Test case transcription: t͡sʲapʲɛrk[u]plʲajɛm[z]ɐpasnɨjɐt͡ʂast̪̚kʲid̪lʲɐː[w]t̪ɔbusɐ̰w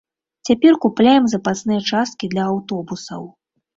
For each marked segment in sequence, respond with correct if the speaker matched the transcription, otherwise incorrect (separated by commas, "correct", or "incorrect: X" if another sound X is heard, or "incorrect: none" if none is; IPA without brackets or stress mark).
correct, correct, correct